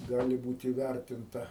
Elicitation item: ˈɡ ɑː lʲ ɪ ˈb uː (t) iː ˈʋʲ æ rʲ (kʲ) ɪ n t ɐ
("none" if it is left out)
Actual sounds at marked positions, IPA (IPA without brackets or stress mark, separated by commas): t, tʲ